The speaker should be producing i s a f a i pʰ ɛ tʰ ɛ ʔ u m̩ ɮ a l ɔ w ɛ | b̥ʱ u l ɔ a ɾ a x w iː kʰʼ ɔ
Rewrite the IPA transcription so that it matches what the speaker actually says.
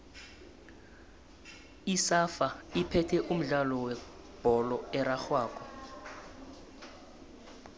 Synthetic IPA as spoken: i s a f a i pʰ ɛ tʰ ɛ ʔ u m̩ ɮ a l ɔ w ɛ | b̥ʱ ɔ l ɔ ɛ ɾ a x w aː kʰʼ ɔ